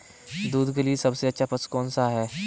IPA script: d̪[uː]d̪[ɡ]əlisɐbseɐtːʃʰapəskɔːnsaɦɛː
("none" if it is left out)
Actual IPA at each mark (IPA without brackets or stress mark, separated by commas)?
uː, ɡ